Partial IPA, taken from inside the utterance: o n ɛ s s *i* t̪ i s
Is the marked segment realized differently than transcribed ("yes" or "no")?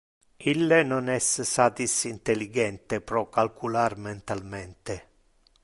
yes